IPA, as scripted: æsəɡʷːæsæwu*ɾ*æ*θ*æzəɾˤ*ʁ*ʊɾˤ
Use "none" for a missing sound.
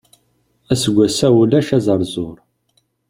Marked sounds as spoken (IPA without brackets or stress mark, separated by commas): l, ʃ, z